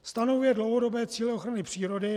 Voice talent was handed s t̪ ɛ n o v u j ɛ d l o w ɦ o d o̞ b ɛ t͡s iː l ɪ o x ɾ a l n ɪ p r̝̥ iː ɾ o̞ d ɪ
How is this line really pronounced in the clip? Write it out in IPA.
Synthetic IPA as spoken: s t̪ a n o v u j ɛ d l o w ɦ o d o̞ b ɛː t͡s iː l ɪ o x ɾ a n ɪ p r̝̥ iː ɾ o̞ d ɪ